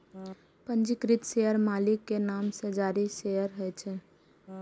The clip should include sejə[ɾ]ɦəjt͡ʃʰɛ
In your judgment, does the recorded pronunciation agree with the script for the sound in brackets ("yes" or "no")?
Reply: yes